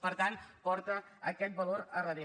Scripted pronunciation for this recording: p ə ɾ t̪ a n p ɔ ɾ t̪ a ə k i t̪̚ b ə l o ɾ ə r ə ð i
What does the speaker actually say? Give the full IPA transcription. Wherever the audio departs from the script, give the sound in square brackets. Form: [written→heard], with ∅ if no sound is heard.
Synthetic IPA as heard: p ə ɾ t̪ a n p ɔ ɾ t̪ [a→ə] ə k [i→ɛ] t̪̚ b ə l o ɾ ə r ə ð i